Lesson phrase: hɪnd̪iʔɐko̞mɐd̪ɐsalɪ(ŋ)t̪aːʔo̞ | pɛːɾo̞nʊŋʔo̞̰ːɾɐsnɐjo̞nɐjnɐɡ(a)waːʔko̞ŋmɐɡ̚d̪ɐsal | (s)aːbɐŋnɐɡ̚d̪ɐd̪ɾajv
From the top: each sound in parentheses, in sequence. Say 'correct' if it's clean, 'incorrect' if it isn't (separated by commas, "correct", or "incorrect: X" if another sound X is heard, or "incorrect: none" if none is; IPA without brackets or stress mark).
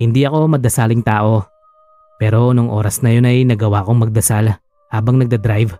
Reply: correct, incorrect: ɐ, incorrect: h